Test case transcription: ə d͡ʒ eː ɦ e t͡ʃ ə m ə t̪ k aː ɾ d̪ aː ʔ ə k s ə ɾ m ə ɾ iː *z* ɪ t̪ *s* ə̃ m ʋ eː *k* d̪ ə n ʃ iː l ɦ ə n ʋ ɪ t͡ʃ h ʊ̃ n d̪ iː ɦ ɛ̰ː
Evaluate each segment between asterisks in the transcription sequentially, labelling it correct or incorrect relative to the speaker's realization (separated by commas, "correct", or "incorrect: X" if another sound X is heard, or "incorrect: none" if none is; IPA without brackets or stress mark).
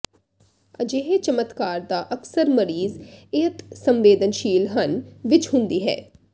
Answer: correct, correct, incorrect: none